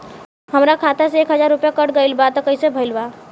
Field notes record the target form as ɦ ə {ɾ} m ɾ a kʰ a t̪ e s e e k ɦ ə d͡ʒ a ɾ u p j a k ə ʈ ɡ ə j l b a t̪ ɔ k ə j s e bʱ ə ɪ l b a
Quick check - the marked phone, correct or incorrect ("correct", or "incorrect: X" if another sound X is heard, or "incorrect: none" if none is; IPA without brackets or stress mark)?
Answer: incorrect: none